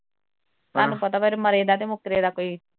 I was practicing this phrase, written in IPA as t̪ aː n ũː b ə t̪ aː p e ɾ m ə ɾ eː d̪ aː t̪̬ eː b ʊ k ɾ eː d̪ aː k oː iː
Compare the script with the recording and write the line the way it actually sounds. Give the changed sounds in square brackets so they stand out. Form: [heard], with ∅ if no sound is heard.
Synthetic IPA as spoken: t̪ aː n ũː [p] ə t̪ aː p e ɾ m ə ɾ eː d̪ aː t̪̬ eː [m] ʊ k ɾ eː d̪ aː k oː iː